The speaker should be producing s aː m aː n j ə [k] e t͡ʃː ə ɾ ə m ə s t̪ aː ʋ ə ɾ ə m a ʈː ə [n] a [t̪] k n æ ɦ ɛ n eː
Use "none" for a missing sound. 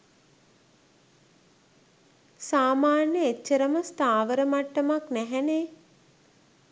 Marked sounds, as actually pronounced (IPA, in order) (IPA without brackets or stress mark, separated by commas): none, m, none